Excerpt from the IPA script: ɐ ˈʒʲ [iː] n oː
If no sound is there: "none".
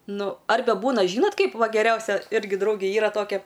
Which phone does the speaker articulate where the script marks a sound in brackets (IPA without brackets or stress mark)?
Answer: iː